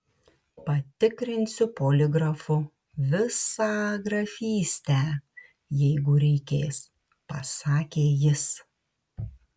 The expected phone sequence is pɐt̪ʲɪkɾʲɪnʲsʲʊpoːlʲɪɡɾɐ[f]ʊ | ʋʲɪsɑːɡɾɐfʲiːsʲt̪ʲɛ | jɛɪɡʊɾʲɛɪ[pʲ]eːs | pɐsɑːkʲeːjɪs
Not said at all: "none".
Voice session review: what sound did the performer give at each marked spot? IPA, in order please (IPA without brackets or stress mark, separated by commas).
f, kʲ